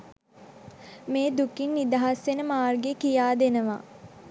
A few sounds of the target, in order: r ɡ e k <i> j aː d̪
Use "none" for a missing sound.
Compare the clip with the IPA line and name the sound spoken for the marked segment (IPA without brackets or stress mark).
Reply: i